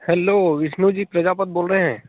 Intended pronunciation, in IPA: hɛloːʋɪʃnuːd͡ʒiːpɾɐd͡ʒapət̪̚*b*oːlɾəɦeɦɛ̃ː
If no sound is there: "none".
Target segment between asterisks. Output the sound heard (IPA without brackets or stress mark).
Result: b